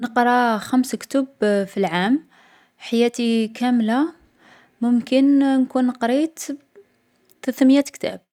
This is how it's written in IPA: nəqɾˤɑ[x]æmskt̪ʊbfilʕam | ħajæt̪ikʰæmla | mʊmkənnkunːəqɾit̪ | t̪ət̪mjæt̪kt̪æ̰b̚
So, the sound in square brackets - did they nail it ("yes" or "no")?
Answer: yes